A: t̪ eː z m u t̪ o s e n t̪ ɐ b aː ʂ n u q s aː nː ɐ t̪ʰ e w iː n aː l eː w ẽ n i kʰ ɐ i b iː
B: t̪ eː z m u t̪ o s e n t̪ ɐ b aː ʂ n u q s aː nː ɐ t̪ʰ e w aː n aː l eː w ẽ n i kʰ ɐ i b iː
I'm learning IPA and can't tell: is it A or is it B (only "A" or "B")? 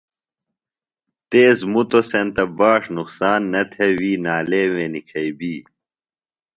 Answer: A